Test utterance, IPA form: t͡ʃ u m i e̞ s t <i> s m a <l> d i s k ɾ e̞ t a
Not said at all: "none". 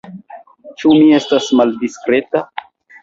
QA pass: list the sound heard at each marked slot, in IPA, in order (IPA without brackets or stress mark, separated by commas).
a, l